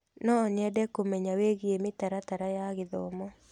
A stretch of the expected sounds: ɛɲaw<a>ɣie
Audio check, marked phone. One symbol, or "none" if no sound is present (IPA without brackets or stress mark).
e